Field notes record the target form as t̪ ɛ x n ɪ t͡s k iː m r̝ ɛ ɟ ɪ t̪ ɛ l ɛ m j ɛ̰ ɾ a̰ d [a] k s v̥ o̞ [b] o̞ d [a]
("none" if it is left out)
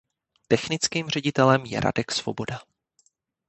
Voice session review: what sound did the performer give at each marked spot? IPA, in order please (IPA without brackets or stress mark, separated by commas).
ɛ, b, a